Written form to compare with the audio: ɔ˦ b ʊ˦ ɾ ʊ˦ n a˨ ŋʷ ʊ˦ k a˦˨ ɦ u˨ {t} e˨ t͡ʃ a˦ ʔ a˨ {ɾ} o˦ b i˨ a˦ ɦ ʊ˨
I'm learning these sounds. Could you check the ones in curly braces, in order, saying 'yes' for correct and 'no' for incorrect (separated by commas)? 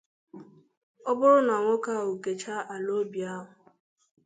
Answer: no, no